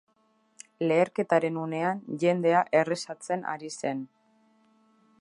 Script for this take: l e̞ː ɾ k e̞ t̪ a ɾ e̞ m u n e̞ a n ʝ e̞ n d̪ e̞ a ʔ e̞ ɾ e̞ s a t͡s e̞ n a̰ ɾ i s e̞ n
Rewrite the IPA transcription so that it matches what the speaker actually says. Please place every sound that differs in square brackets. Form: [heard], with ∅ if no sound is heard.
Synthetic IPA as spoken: l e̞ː ɾ k e̞ t̪ a ɾ e̞ [n] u n e̞ a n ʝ e̞ n d̪ e̞ a ʔ e̞ [r] e̞ s a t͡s e̞ n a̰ ɾ i s e̞ n